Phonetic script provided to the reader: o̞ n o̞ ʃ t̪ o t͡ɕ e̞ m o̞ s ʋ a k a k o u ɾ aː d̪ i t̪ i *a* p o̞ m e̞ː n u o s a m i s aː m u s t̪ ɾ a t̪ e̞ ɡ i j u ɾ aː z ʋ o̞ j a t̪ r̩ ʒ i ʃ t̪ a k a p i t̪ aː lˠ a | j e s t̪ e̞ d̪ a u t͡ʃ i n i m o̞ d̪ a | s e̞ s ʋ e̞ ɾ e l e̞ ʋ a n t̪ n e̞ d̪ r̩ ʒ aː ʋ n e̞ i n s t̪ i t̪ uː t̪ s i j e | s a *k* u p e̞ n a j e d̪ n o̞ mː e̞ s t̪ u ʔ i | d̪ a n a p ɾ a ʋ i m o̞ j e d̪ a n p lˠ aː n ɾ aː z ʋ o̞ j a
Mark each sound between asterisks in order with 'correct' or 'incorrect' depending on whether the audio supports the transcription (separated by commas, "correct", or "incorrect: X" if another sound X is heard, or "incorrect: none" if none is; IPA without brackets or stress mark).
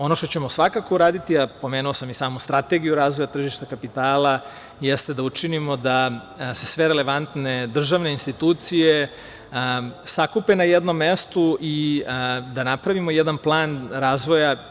correct, correct